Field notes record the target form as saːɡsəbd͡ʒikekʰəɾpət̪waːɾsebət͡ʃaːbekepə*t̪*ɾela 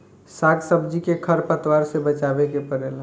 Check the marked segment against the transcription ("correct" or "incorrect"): incorrect